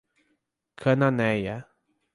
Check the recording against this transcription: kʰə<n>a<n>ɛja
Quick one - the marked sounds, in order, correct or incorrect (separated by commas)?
correct, correct